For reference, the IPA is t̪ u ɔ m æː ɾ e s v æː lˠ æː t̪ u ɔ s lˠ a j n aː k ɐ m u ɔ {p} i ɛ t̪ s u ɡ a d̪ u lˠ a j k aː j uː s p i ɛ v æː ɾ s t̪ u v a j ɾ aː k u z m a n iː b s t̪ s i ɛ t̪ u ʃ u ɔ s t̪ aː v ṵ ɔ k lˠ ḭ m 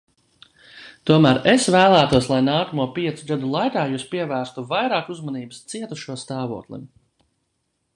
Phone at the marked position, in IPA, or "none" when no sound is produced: p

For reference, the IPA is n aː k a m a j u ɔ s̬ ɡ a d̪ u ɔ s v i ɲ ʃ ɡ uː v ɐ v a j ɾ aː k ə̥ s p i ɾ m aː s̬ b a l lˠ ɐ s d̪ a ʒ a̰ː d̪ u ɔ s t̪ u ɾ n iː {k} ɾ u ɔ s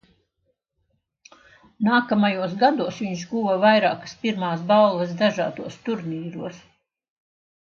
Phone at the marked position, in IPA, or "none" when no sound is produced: none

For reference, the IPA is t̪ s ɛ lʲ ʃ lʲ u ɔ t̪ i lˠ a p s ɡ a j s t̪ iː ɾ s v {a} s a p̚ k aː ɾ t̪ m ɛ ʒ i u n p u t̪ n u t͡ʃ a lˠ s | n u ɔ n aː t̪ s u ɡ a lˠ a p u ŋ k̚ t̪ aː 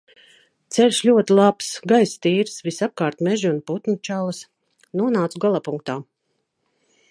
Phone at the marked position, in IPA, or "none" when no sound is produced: i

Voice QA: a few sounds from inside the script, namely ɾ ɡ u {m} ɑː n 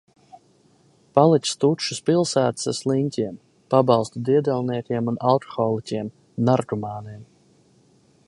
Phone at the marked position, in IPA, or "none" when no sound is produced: m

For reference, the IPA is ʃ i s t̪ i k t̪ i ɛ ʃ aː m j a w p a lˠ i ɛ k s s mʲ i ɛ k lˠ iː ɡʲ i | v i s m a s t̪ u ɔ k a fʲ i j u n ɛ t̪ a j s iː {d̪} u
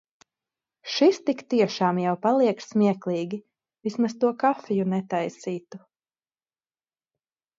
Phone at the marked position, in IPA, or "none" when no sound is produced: t̪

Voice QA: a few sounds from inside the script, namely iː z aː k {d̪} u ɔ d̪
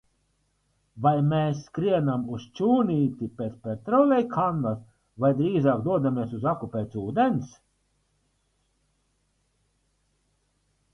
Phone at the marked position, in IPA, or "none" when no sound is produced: d̪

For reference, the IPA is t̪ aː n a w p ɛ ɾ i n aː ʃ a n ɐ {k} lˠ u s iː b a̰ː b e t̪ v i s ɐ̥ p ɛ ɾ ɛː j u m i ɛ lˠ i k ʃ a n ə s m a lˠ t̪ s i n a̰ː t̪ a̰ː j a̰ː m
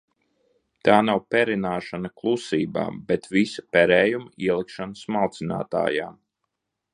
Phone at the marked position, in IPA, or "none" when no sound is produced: k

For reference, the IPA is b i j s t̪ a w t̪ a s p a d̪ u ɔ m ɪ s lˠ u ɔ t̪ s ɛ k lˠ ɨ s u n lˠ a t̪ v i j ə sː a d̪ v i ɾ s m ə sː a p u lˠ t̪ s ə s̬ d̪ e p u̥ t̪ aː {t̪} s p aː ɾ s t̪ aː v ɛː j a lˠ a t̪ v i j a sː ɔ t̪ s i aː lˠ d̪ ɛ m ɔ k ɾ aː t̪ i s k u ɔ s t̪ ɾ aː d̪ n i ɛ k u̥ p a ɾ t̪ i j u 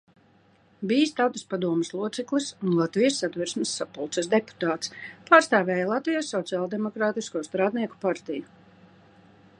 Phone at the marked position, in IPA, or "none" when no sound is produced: t̪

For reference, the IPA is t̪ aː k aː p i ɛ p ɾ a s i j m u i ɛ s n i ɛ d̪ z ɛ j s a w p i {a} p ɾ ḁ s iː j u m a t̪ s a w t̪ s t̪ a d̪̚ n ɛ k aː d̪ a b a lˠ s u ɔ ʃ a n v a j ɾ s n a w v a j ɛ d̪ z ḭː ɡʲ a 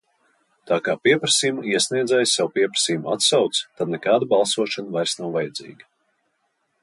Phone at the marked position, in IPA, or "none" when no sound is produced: ɛ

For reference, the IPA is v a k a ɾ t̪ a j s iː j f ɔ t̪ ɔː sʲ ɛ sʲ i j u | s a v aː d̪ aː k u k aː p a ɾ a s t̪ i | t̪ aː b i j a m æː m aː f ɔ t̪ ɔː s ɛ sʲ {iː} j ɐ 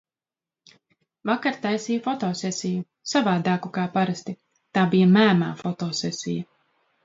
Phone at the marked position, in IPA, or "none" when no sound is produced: i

